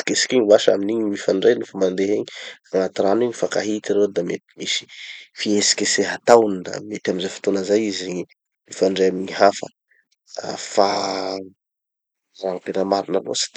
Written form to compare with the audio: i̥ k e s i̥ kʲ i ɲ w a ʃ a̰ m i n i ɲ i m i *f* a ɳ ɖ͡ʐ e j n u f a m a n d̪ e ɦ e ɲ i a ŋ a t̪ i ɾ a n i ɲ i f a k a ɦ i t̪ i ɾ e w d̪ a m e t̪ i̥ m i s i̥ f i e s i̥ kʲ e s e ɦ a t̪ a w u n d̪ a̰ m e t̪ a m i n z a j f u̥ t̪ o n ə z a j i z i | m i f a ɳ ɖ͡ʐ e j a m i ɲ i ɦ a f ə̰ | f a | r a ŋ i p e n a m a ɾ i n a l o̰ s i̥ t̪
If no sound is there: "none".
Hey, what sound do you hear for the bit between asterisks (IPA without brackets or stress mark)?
f